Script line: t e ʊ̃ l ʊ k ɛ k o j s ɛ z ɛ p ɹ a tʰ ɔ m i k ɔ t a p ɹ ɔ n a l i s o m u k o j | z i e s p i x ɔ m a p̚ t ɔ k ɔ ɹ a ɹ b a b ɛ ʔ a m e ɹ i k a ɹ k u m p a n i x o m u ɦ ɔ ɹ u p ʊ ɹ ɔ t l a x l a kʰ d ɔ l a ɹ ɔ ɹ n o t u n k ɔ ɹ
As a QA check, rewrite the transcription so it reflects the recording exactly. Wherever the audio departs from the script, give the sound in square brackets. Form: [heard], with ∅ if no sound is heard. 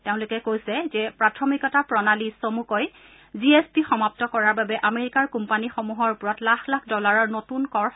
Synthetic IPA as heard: t e ʊ̃ l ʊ k ɛ k o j s ɛ z ɛ p ɹ a tʰ ɔ m i k ɔ t a p ɹ ɔ n a l i s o m u k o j | z i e s p i x ɔ m a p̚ t ɔ k ɔ ɹ a ɹ b a b ɛ ʔ a m e ɹ i k a ɹ k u m p a n i x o m u ɦ ɔ ɹ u p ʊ ɹ ɔ t l a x l a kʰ d ɔ l a ɹ ɔ ɹ n o t u n k ɔ ɹ